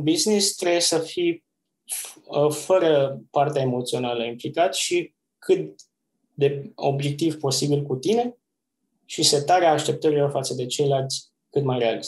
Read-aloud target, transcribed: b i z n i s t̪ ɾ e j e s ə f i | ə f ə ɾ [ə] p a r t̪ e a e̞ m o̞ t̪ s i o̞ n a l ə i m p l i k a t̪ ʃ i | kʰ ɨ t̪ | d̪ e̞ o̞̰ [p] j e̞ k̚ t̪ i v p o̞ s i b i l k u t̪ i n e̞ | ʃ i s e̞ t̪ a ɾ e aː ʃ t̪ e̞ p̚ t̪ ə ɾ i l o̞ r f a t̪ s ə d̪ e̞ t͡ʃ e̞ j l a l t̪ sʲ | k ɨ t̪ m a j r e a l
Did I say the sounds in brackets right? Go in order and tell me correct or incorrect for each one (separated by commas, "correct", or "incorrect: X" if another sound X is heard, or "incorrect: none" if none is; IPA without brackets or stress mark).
correct, incorrect: b